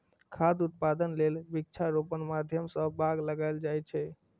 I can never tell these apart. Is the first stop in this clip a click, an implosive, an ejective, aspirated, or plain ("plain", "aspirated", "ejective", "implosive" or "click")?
aspirated